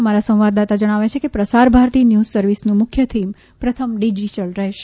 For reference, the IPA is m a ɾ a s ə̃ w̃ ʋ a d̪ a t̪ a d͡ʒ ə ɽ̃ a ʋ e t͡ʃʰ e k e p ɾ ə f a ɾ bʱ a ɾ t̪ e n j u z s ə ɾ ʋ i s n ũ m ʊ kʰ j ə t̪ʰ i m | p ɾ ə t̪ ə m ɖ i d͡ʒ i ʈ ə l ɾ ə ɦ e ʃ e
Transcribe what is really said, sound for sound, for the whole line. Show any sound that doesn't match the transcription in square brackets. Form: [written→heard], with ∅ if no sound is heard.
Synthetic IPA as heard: m a ɾ a s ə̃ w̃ ʋ a d̪ a t̪ a d͡ʒ ə ɽ̃ a ʋ e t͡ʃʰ e k e p ɾ ə [f→s] a ɾ bʱ a ɾ t̪ [e→i] n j u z s ə ɾ ʋ i s n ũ m ʊ kʰ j ə t̪ʰ i m | p ɾ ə [t̪→t̪ʰ] ə m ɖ i d͡ʒ i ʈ ə l ɾ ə ɦ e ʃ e